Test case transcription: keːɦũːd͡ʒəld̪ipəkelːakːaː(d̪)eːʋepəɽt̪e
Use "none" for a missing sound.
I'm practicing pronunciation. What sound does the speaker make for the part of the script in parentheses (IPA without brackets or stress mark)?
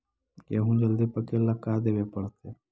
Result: d̪